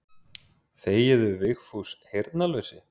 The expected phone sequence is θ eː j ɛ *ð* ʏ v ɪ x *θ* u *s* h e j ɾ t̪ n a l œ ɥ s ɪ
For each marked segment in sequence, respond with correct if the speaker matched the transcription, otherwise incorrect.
correct, incorrect: f, correct

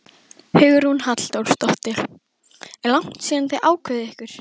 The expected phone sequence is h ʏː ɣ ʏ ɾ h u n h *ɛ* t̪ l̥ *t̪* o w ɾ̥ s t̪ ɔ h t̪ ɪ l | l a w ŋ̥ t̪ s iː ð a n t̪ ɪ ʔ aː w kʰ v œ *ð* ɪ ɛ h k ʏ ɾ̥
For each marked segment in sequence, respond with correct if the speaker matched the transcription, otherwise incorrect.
incorrect: a, correct, correct

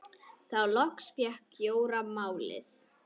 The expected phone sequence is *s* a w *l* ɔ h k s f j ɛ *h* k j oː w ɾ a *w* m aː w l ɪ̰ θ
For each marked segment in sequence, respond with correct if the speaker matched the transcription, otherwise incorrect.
incorrect: θ, correct, correct, incorrect: none

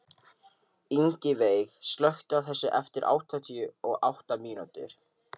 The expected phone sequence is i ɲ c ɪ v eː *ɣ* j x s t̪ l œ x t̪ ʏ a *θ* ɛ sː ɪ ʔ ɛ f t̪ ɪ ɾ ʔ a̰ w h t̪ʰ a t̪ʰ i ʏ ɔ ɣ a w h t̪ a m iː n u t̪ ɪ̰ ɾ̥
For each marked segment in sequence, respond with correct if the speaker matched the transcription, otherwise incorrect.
incorrect: none, correct

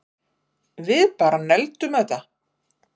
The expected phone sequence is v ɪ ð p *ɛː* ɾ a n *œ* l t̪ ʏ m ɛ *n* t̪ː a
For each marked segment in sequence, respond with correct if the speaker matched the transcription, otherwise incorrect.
incorrect: aː, incorrect: ɛ, incorrect: none

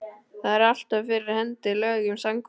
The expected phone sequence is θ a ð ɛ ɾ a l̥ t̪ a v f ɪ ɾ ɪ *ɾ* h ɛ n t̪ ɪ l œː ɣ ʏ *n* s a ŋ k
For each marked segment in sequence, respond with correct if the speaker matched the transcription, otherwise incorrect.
correct, incorrect: m

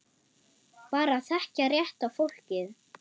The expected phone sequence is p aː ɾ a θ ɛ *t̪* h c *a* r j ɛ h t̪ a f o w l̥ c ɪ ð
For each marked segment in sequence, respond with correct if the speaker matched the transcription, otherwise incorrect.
incorrect: none, correct

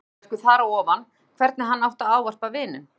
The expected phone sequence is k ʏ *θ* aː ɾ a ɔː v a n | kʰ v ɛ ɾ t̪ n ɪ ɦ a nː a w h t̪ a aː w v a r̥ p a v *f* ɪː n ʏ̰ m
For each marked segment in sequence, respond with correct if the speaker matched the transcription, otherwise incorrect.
correct, incorrect: v

